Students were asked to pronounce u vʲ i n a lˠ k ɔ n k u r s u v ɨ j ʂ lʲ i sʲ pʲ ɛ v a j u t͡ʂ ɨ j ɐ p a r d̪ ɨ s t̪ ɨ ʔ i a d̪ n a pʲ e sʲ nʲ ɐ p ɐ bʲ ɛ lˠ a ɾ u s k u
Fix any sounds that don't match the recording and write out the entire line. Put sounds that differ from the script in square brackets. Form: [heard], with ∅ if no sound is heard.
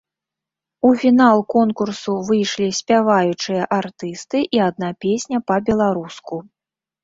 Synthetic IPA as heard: u [fʲ] i n a lˠ k ɔ n k u r s u v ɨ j ʂ lʲ i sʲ pʲ [a] v a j u t͡ʂ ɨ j ɐ [ʔ] a r [t̪] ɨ s t̪ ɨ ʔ i a d̪ n a pʲ e sʲ nʲ ɐ p ɐ bʲ ɛ lˠ a ɾ u s k u